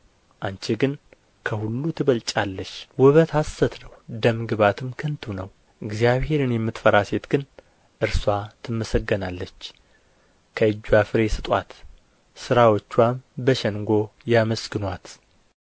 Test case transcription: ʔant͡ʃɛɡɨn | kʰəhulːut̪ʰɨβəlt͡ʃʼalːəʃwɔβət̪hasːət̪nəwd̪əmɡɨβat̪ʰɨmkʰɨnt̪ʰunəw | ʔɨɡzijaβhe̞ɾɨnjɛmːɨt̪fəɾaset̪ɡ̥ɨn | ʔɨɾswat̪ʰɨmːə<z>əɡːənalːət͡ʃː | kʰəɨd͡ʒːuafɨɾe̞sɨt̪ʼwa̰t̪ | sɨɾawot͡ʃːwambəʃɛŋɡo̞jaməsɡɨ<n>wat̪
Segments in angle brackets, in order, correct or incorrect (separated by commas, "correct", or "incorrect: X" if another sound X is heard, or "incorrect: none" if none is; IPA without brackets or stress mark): incorrect: s, correct